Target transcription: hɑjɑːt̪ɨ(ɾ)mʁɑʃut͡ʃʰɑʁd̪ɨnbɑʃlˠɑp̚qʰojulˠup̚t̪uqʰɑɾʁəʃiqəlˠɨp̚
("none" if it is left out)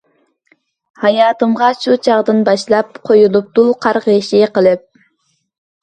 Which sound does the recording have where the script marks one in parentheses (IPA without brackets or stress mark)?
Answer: none